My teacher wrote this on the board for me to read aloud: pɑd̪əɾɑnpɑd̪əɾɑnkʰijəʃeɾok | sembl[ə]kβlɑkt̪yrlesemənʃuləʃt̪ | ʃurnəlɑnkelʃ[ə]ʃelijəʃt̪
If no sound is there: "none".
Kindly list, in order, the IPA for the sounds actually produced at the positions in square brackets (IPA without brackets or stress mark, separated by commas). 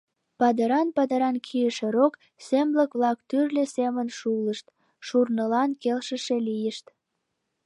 ə, ə